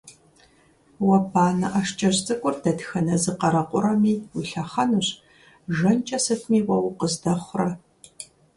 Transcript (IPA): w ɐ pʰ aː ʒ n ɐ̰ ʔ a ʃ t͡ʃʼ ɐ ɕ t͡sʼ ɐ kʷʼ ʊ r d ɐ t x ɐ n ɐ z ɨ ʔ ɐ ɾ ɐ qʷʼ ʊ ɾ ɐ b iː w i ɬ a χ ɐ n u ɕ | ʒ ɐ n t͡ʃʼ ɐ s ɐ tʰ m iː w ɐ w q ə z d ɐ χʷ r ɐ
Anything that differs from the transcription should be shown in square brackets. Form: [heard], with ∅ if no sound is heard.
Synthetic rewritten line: w ɐ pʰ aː [∅] n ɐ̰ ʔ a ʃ t͡ʃʼ ɐ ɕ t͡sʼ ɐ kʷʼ ʊ r d ɐ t x ɐ n ɐ z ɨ [q] ɐ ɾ ɐ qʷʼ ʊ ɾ ɐ [m] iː w i ɬ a χ ɐ n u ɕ | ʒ ɐ n t͡ʃʼ ɐ s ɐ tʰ m iː w ɐ w q ə z d ɐ χʷ r ɐ

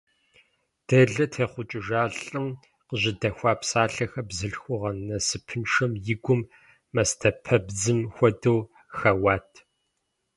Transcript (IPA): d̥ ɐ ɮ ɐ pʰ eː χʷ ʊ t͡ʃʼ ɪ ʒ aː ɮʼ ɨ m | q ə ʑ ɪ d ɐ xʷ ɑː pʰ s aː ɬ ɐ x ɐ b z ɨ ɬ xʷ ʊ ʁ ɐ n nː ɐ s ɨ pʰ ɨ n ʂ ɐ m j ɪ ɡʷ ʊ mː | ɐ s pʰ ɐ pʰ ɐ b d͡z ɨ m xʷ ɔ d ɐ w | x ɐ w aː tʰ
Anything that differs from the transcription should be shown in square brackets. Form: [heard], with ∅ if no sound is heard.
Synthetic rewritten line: d̥ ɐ ɮ ɐ [tʰ] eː χʷ ʊ t͡ʃʼ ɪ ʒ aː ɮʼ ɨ m | q ə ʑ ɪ d ɐ xʷ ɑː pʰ s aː ɬ ɐ x ɐ b z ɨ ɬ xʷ ʊ ʁ ɐ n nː ɐ s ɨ pʰ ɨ n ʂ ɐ m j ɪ ɡʷ ʊ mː | ɐ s [tʰ] ɐ pʰ ɐ b d͡z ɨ m xʷ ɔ d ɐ w | x ɐ w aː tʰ

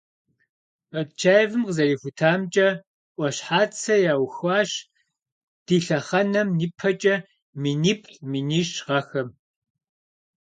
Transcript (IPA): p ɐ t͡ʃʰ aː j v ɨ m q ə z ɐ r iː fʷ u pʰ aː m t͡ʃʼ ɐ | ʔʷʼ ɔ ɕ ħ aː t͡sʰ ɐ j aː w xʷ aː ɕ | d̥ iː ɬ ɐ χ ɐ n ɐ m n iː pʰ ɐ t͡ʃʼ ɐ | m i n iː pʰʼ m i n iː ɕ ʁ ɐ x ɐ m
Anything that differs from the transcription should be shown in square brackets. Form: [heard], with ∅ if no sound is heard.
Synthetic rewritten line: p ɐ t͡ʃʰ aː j v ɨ m q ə z ɐ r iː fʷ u [tʰ] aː m t͡ʃʼ ɐ | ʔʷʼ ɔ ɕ ħ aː t͡sʰ ɐ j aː w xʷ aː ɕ | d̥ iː ɬ ɐ χ ɐ n ɐ m n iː pʰ ɐ t͡ʃʼ ɐ | m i n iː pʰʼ m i n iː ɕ ʁ ɐ x ɐ m

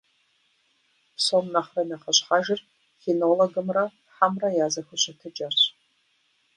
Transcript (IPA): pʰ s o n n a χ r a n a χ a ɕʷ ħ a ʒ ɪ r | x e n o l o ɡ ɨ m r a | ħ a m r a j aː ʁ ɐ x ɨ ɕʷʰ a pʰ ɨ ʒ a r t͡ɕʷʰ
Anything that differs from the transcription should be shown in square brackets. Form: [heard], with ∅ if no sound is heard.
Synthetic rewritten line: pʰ s o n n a χ r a n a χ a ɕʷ ħ a ʒ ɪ r | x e n o l o ɡ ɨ m r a | ħ a m r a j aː [z] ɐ x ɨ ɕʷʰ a [tʰ] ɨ [d͡ʒ] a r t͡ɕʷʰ

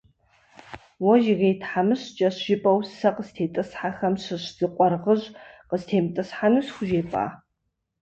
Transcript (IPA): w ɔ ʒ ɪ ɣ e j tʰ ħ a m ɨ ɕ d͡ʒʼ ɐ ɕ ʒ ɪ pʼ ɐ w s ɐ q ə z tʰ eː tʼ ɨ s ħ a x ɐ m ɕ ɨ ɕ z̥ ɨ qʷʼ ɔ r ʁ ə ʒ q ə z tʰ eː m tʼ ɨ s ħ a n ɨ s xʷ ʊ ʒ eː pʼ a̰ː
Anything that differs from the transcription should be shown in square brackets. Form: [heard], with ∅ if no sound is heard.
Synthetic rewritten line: w ɔ ʒ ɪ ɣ e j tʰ ħ a m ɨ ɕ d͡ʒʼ ɐ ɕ ʒ ɪ pʼ ɐ w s ɐ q ə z tʰ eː tʼ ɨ s ħ a x ɐ m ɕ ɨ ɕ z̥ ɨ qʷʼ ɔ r ʁ ə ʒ q ə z tʰ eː m tʼ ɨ s ħ a n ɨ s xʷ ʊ ʒ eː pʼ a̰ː

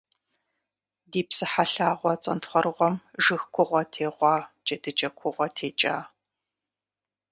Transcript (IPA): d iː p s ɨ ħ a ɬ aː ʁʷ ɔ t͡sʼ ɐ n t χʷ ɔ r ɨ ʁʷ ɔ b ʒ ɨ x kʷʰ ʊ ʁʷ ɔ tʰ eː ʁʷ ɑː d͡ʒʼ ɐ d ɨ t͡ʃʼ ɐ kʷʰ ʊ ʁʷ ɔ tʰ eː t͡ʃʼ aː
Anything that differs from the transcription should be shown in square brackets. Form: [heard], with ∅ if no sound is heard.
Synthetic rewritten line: d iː p s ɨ ħ a ɬ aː ʁʷ ɔ t͡sʼ ɐ n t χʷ ɔ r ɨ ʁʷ ɔ [m] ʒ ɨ x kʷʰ ʊ ʁʷ ɔ tʰ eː ʁʷ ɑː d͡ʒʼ ɐ d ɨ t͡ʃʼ ɐ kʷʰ ʊ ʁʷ ɔ tʰ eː t͡ʃʼ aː

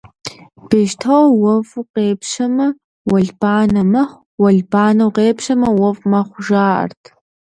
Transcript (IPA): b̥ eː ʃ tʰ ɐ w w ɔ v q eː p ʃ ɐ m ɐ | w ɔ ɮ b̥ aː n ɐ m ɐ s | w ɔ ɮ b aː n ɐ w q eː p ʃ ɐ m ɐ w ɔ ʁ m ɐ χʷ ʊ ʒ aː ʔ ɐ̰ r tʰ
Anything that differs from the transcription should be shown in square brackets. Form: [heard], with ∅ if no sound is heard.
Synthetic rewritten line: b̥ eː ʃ tʰ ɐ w w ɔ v q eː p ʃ ɐ m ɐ | w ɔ ɮ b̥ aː n ɐ m ɐ [χ] | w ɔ ɮ b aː n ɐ w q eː p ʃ ɐ m ɐ w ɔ [v] m ɐ χʷ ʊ ʒ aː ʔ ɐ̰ r tʰ

